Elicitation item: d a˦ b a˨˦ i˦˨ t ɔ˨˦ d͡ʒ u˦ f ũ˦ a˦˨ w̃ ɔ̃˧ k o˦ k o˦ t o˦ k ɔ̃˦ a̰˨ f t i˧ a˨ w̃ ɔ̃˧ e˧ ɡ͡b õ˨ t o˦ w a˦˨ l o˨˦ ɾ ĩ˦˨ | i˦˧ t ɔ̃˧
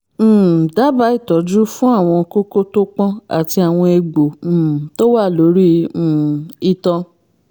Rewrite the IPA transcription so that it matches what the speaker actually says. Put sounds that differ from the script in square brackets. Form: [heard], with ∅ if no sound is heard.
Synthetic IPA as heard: d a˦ b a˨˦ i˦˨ t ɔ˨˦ d͡ʒ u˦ f ũ˦ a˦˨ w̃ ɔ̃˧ k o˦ k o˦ t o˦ [k͡p] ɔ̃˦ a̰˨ [∅] t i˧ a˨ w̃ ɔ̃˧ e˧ ɡ͡b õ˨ t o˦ w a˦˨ l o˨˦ ɾ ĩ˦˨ | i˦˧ t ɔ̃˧